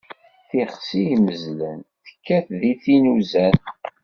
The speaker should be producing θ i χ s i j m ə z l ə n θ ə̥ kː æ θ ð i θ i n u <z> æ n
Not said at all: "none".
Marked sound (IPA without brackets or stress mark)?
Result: z